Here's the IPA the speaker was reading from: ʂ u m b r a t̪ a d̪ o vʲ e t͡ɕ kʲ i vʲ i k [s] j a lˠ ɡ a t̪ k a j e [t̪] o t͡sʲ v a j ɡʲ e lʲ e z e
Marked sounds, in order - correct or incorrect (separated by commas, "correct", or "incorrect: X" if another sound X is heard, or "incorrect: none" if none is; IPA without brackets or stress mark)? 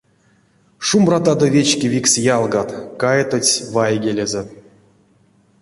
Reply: correct, correct